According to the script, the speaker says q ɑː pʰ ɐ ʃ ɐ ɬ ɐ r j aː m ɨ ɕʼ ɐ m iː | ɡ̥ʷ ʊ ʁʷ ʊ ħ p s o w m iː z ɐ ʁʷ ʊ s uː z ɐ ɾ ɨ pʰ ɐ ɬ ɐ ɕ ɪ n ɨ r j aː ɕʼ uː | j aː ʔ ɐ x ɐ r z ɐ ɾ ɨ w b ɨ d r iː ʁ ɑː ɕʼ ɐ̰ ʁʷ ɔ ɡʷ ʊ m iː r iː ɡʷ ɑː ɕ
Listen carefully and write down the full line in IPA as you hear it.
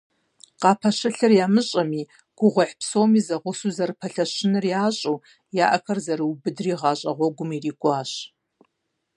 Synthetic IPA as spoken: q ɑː pʰ ɐ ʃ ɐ ɬ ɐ r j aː m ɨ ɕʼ ɐ m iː | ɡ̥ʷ ʊ ʁʷ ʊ ħ p s o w m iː z ɐ ʁʷ ʊ s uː z ɐ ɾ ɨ pʰ ɐ ɬ ɐ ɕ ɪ n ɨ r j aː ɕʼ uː | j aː ʔ ɐ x ɐ r z ɐ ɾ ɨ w b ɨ d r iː ʁ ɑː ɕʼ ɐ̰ ʁʷ ɔ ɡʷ ʊ m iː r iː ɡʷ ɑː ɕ